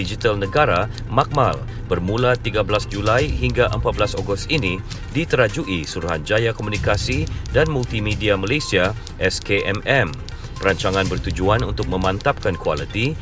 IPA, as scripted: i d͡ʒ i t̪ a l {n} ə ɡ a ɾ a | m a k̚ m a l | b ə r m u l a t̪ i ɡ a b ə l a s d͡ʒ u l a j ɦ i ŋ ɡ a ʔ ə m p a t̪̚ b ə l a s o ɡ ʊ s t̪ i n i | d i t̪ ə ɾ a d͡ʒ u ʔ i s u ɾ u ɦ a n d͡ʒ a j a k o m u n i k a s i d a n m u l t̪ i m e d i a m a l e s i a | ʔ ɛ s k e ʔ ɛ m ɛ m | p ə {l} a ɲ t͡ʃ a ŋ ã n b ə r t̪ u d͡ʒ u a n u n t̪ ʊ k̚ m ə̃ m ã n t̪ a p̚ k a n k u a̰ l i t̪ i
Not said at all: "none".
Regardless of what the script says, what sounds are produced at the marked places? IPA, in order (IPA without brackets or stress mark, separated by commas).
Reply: n, ɾ